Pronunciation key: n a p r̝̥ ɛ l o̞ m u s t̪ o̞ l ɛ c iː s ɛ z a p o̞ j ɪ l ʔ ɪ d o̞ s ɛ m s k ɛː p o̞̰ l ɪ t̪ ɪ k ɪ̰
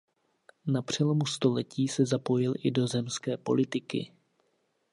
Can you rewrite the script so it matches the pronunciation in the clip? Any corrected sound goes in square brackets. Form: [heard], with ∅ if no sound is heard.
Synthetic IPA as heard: n a p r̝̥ ɛ l o̞ m u s t̪ o̞ l ɛ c iː s ɛ z a p o̞ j ɪ l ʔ ɪ d o̞ [z] ɛ m s k ɛː p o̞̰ l ɪ t̪ ɪ k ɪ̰